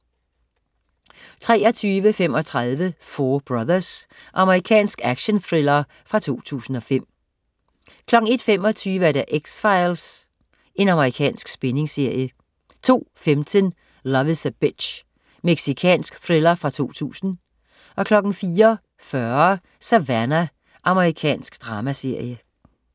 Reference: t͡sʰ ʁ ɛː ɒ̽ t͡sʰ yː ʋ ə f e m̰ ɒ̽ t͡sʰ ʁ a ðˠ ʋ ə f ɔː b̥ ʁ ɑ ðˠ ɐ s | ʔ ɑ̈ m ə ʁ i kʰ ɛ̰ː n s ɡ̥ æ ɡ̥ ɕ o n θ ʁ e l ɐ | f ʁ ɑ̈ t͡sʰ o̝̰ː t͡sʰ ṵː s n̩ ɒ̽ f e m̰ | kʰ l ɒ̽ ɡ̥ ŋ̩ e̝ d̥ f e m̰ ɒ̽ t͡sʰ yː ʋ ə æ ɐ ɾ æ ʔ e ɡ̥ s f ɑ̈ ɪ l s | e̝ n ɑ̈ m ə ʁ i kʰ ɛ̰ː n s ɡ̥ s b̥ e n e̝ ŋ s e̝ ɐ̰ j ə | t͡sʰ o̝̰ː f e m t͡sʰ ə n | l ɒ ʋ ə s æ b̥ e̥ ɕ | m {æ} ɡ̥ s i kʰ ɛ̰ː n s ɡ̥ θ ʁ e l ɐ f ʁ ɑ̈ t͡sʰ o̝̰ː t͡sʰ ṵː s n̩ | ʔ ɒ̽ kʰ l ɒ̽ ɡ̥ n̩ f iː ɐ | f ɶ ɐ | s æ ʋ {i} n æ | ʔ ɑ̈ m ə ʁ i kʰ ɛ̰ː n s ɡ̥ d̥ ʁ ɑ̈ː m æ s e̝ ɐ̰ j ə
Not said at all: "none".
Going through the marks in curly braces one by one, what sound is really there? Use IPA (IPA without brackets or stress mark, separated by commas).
e, æ